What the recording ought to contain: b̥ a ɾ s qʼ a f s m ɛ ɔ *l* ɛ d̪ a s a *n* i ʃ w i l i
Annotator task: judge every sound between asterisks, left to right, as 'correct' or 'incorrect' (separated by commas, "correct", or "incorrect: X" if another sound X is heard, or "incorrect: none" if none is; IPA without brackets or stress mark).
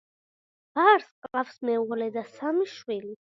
correct, incorrect: m